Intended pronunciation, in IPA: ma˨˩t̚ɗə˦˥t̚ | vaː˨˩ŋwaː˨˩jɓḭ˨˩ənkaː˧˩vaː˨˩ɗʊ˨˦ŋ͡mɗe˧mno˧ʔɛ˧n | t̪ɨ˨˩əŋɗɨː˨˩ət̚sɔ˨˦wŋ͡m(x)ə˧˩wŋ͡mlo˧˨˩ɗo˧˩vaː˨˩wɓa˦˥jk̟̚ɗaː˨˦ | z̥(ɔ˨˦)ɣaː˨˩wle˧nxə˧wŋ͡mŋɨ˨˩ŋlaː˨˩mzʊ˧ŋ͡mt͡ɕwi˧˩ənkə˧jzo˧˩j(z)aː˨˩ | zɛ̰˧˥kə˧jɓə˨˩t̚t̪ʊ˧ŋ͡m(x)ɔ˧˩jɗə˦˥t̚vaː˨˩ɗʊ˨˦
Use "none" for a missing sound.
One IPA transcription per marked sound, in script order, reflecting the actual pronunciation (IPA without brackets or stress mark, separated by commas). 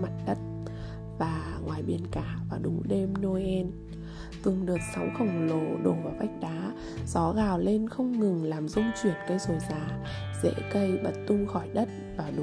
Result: x, ɔ˨˦, z, x